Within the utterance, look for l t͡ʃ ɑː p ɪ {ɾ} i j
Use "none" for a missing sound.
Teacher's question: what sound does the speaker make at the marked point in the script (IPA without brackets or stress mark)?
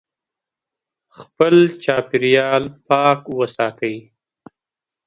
ɾ